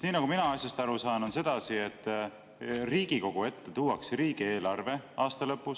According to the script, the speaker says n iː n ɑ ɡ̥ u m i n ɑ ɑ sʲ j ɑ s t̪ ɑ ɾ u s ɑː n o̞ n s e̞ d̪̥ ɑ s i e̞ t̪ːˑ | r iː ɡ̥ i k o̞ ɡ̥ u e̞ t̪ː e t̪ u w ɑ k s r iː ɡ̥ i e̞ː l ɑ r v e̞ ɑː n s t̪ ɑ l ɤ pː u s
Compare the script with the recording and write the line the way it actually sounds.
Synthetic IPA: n iː n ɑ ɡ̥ u m i n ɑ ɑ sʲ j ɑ s t̪ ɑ ɾ u s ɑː n o̞ n s e̞ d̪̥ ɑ s i e̞ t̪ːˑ | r iː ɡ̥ i k o̞ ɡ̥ u e̞ t̪ː e t̪ u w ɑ k s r iː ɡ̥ i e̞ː l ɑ r v e̞ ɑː s t̪ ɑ l ɤ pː u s